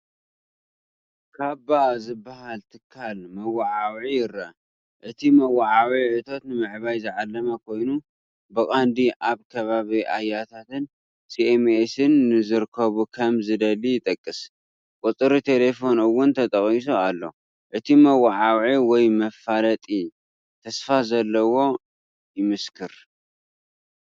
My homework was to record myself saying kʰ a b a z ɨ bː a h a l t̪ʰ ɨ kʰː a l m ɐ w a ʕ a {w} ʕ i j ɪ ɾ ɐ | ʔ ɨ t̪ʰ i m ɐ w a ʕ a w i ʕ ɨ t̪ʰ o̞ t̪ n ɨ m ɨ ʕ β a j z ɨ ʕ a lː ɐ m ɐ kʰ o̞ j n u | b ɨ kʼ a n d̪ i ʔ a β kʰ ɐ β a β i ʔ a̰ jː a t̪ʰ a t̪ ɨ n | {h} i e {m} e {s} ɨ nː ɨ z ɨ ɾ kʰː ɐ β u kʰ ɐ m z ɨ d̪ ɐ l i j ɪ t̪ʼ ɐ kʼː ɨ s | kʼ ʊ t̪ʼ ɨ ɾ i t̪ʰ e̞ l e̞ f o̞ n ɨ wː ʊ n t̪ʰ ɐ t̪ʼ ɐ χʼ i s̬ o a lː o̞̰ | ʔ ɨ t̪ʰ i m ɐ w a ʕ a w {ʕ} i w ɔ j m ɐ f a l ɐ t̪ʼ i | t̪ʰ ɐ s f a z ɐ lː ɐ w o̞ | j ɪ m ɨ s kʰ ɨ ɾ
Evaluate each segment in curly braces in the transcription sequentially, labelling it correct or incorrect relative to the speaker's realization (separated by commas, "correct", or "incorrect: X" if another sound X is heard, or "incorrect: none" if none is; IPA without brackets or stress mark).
correct, incorrect: s, correct, correct, correct